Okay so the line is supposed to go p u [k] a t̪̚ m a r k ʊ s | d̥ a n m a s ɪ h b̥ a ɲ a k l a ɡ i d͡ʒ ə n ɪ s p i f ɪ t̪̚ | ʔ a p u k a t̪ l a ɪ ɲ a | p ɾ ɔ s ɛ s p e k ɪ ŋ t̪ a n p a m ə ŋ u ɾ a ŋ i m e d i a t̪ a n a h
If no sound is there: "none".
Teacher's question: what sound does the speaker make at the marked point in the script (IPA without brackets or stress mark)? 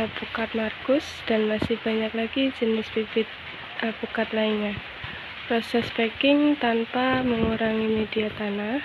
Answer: k